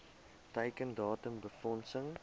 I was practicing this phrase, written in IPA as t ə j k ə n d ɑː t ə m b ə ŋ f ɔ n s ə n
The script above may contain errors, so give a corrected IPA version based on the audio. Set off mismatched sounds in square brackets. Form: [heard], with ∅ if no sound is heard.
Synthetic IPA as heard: t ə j k ə n d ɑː t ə m b ə [∅] f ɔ n s ə [ŋ]